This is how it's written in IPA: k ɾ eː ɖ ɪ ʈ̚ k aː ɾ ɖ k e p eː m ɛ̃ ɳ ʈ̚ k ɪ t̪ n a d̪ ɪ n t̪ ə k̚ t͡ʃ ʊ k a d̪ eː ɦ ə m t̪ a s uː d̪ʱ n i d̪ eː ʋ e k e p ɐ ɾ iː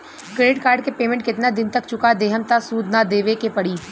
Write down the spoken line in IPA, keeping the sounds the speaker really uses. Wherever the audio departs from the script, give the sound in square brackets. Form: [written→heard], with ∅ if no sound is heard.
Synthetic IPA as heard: k ɾ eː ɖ ɪ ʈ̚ k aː ɾ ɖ k e p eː m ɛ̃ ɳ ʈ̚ k ɪ t̪ n a d̪ ɪ n t̪ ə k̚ t͡ʃ ʊ k a d̪ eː ɦ ə m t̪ a s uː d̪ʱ n [i→a] d̪ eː ʋ e k e p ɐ [ɾ→ɽ] iː